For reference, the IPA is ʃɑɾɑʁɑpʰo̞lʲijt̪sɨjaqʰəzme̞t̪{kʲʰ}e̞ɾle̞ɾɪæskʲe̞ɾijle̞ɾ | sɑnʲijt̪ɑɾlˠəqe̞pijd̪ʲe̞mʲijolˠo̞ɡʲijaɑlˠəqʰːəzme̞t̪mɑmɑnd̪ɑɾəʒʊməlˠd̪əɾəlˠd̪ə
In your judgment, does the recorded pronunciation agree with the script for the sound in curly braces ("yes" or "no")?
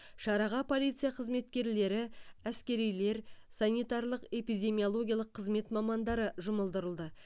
no